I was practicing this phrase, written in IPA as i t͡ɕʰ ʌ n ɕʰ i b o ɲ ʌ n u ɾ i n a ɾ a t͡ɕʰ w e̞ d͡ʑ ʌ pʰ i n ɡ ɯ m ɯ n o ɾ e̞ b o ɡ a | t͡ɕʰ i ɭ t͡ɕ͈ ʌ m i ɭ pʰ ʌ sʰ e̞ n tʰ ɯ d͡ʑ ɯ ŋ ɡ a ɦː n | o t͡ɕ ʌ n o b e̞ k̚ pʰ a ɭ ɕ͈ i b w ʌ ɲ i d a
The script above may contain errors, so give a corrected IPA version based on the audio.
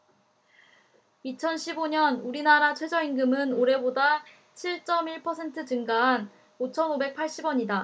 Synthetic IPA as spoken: i t͡ɕʰ ʌ n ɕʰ i b o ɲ ʌ n u ɾ i n a ɾ a t͡ɕʰ w e̞ d͡ʑ ʌ i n ɡ ɯ m ɯ n o ɾ e̞ b o d a | t͡ɕʰ i ɭ t͡ɕ͈ ʌ m i ɭ pʰ ʌ sʰ e̞ n tʰ ɯ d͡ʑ ɯ ŋ ɡ a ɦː n | o t͡ɕʰ ʌ n o b e̞ k̚ pʰ a ɭ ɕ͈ i b w ʌ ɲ i d a

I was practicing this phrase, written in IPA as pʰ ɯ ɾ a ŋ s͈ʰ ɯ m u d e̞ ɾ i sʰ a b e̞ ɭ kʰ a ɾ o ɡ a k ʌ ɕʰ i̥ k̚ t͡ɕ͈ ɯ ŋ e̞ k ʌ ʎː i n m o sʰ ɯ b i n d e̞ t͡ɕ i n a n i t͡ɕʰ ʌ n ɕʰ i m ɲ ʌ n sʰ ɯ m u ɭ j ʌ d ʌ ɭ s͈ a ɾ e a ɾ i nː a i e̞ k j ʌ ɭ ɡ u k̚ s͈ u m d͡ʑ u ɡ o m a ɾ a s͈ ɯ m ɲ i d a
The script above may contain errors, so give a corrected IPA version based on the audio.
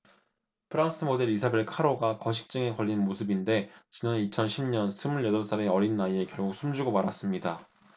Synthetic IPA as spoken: pʰ ɯ ɾ a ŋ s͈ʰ ɯ m o d e̞ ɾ i sʰ a b e̞ ɭ kʰ a ɾ o ɡ a k ʌ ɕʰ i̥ k̚ t͡ɕ͈ ɯ ŋ e̞ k ʌ ʎː i n m o sʰ ɯ b i n d e̞ t͡ɕ i n a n i t͡ɕʰ ʌ n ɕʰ i m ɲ ʌ n sʰ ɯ m u ɭ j ʌ d ʌ ɭ s͈ a ɾ e ʌ ɾ i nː a i e̞ k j ʌ ɭ ɡ u k̚ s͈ u m d͡ʑ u ɡ o m a ɾ a s͈ ɯ m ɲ i d a

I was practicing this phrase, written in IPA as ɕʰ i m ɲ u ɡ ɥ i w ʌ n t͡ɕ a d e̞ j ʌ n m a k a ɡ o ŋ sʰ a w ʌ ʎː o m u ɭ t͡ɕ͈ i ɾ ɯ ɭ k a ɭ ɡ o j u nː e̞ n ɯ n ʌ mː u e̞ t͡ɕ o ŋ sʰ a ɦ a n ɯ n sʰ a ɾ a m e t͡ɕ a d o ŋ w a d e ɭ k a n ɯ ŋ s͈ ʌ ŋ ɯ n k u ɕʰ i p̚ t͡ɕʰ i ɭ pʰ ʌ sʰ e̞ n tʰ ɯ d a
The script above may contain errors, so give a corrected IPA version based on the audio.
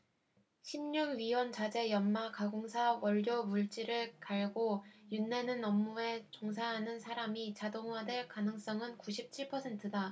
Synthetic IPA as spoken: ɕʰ i m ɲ u ɡ ɥ i w ʌ n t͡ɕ a d͡ʑ e̞ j ʌ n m a k a ɡ o ŋ sʰ a w ʌ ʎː o m u ɭ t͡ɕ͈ i ɾ ɯ ɭ k a ɭ ɡ o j u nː e̞ n ɯ n ʌ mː u e̞ t͡ɕ o ŋ sʰ a ɦ a n ɯ n sʰ a ɾ a m i t͡ɕ a d o ŋ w a d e ɭ k a n ɯ ŋ s͈ ʌ ŋ ɯ n k u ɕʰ i p̚ t͡ɕʰ i ɭ pʰ ʌ sʰ e̞ n tʰ ɯ d a

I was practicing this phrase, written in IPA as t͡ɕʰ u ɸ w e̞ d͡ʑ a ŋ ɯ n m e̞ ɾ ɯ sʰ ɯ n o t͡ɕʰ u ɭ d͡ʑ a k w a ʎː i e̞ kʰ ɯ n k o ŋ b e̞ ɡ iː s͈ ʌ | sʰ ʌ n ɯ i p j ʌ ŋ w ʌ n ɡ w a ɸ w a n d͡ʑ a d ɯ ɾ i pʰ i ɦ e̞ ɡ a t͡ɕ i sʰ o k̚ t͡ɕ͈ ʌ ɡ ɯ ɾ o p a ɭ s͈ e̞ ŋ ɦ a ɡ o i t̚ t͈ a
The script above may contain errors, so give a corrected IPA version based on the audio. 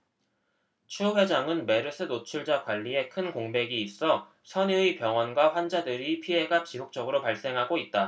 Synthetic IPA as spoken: t͡ɕʰ u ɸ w e̞ d͡ʑ a ŋ ɯ n m e̞ ɾ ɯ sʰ ɯ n o t͡ɕʰ u ɭ d͡ʑ a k w a ʎː i e̞ kʰ ɯ n k o ŋ b e̞ ɡ iː s͈ ʌ | sʰ ʌ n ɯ i p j ʌ ŋ w ʌ n ɡ w a ɸ w a n d͡ʑ a d ɯ ɾ i pʰ i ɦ e̞ ɡ a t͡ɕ i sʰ o k̚ t͡ɕ͈ ʌ ɡ ɯ ɾ o p a ɭ s͈ e̞ ŋ ɦ a ɡ o i t̚ t͈ a

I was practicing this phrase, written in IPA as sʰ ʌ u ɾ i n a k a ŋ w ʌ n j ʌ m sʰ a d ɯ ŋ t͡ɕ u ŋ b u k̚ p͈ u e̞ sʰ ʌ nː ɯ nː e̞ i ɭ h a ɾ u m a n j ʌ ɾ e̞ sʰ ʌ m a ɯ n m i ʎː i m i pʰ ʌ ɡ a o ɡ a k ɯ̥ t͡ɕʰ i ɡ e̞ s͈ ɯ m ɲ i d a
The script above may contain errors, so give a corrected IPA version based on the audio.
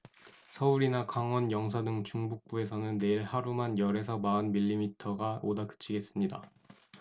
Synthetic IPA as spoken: sʰ ʌ u ɾ i n a k a ŋ w ʌ n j ʌ ŋ sʰ a d ɯ ŋ t͡ɕ u ŋ b u k̚ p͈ u e̞ sʰ ʌ n ɯ nː e̞ i ɭ h a ɾ u m a n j ʌ ɾ e̞ sʰ ʌ m a ɯ n m i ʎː i m i tʰ ʌ ɡ a o d a k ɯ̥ t͡ɕʰ i ɡ e̞ s͈ ɯ m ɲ i d a

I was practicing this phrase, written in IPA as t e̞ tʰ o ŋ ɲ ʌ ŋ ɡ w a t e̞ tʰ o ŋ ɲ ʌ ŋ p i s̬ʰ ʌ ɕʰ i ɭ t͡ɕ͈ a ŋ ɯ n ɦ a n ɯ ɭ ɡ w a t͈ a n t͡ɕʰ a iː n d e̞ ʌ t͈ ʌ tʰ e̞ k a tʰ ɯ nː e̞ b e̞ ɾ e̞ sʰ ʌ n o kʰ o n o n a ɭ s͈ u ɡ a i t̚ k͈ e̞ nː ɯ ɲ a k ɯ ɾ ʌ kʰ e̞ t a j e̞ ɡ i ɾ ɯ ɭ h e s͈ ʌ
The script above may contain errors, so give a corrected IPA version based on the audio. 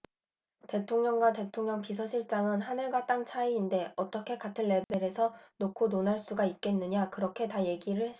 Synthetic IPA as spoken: t e̞ tʰ o ŋ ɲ ʌ ŋ ɡ w a t e̞ tʰ o ŋ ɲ ʌ ŋ p i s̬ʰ ʌ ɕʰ i ɭ t͡ɕ͈ a ŋ ɯ n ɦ a n ɯ ɭ ɡ w a t͈ a ŋ t͡ɕʰ a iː n d e̞ ʌ t͈ ʌ kʰ e̞ k a tʰ ɯ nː e̞ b e̞ ɾ e̞ sʰ ʌ n o kʰ o n o n a ɭ s͈ u ɡ a i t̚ k͈ e̞ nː ɯ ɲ a k ɯ ɾ ʌ kʰ e̞ t a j e̞ ɡ i ɾ ɯ ɭ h e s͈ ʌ

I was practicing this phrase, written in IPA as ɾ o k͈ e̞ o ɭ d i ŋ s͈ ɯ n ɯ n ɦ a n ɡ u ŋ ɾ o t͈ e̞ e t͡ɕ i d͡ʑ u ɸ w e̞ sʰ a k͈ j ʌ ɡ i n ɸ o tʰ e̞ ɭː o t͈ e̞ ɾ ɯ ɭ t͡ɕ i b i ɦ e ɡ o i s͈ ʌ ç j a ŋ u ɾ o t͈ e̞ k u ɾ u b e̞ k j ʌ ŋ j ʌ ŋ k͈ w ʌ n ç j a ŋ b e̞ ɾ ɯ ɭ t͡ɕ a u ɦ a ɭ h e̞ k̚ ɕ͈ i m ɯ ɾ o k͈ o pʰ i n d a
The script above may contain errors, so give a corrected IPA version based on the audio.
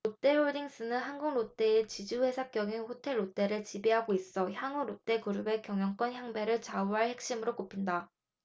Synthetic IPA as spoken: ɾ o t͈ e̞ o ɭ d i ŋ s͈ ɯ n ɯ n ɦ a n ɡ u ŋ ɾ o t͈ e̞ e t͡ɕ i d͡ʑ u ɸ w e̞ sʰ a k͈ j ʌ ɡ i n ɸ o tʰ e̞ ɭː o t͈ e̞ ɾ ɯ ɭ t͡ɕ i b i ɦ a ɡ o i s͈ ʌ ç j a ŋ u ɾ o t͈ e̞ k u ɾ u b e̞ k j ʌ ŋ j ʌ ŋ k͈ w ʌ n ç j a ŋ b e̞ ɾ ɯ ɭ t͡ɕ a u ɦ a ɭ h e̞ k̚ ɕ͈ i m ɯ ɾ o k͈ o pʰ i n d a

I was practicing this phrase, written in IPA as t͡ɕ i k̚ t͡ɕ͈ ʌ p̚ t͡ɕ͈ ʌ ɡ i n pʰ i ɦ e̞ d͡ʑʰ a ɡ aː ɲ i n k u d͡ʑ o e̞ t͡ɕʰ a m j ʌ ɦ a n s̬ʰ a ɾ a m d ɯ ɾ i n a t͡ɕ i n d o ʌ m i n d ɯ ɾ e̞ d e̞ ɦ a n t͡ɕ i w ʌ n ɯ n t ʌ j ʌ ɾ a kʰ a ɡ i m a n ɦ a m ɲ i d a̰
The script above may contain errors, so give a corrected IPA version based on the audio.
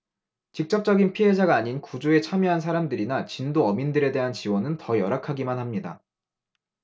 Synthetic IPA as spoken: t͡ɕ i k̚ t͡ɕ͈ ʌ p̚ t͡ɕ͈ ʌ ɡ i n pʰ i ɦ e̞ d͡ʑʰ a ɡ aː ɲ i n k u d͡ʑ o e̞ t͡ɕʰ a m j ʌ ɦ a n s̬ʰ a ɾ a m d ɯ ɾ i n a t͡ɕ i n d o ʌ m i n d ɯ ɾ e̞ d e̞ ɦ a n t͡ɕ i w ʌ n ɯ n t ʌ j ʌ ɾ a kʰ a ɡ i m a n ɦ a m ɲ i d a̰

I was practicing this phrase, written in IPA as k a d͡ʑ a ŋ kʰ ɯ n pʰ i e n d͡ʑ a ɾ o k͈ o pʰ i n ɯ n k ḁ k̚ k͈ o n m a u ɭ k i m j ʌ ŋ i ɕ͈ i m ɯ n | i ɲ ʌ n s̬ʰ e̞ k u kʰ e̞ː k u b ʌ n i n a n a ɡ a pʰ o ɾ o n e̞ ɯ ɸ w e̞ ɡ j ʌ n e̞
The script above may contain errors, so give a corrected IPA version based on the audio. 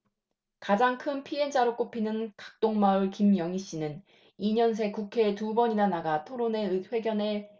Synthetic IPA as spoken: k a d͡ʑ a ŋ kʰ ɯ n pʰ i e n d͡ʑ a ɾ o k͈ o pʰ i n ɯ n k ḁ k̚ t͈ o ŋ m a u ɭ k i m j ʌ ŋ i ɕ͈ i n ɯ n | i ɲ ʌ n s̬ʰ e̞ k u kʰ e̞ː t u b ʌ ɲ i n a n a ɡ a tʰ o ɾ o n e̞ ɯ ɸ w e̞ ɡ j ʌ n e̞

